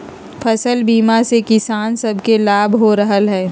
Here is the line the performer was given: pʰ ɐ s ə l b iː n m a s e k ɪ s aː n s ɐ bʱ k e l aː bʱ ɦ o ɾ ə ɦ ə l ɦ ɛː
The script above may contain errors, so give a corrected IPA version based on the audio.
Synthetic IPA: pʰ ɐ s ə l b iː m a s e k ɪ s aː n s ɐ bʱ k e l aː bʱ ɦ o ɾ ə ɦ ə l ɦ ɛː